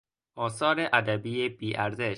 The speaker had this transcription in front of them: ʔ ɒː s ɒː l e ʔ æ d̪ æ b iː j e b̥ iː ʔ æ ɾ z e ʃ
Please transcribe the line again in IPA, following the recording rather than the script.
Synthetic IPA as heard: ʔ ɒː s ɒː ɾ e ʔ æ d̪ æ b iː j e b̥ iː ʔ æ ɾ z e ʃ